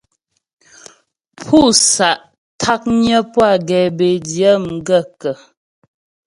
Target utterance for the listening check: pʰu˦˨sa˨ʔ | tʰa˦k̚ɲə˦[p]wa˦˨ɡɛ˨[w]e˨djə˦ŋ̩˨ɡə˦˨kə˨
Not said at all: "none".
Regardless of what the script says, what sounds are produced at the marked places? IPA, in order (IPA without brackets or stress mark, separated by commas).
p, b